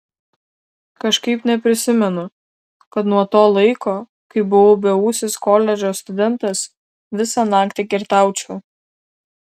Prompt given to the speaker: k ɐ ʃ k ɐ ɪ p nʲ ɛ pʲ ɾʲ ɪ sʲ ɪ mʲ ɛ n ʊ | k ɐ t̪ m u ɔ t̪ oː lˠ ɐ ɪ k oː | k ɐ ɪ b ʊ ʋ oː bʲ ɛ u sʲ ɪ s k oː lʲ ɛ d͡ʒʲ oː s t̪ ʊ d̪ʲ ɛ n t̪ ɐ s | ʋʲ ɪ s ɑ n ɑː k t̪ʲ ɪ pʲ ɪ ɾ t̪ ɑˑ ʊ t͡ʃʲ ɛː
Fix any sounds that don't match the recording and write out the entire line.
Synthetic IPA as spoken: k ɐ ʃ k ɐ ɪ p nʲ ɛ pʲ ɾʲ ɪ sʲ ɪ mʲ ɛ n ʊ | k ɐ t̪ n u ɔ t̪ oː lˠ ɐ ɪ k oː | k ɐ ɪ b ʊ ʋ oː bʲ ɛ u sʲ ɪ s k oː lʲ ɛ d͡ʒʲ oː s t̪ ʊ d̪ʲ ɛ n t̪ ɐ s | ʋʲ ɪ s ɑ n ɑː k t̪ʲ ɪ kʲ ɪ ɾ t̪ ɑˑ ʊ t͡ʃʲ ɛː